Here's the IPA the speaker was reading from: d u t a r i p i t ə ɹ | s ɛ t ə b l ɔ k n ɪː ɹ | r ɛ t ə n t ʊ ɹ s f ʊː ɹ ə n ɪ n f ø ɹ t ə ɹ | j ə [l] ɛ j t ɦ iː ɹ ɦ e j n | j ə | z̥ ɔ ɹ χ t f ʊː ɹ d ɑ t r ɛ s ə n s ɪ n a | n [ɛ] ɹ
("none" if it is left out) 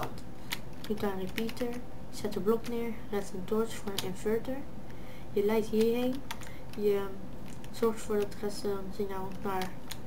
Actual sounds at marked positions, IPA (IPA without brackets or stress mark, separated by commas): l, a